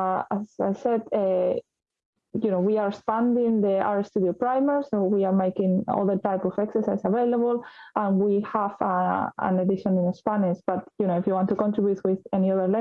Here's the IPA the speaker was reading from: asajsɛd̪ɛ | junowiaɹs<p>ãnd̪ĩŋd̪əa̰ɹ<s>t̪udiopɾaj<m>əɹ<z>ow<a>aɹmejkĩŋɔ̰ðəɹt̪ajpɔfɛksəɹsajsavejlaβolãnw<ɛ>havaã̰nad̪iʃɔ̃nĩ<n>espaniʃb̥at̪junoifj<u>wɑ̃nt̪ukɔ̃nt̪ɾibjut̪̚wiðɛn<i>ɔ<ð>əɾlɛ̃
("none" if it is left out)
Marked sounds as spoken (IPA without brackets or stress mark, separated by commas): p, s, m, s, i, i, n, u, i, ð